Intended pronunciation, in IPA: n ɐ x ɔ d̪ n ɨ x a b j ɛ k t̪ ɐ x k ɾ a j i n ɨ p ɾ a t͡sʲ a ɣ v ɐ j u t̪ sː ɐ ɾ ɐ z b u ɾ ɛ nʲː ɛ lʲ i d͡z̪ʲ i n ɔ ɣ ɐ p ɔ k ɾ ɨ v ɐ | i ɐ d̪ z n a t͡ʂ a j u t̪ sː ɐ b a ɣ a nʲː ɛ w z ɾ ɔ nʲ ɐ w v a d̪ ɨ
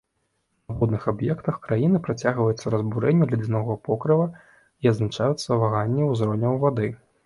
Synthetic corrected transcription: n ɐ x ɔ d̪ n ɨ x a b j ɛ k t̪ ɐ x k ɾ a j i n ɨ p ɾ a t͡sʲ a ɣ v ɐ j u t̪ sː ɐ ɾ ɐ z b u ɾ ɛ nʲː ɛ lʲ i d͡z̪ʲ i n ɔ ɣ ɐ p ɔ k ɾ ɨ v ɐ | i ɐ d̪ z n a t͡ʂ a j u t̪ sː ɐ v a ɣ a nʲː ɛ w z ɾ ɔ nʲ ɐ w v a d̪ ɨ